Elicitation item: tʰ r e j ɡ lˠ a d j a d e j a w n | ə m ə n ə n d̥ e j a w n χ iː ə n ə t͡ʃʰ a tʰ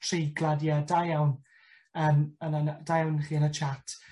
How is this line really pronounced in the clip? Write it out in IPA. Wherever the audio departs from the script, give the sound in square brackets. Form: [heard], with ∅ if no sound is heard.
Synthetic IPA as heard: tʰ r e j ɡ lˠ a d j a d [a] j a w n | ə m ə n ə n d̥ [a] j a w n χ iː ə n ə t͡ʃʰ a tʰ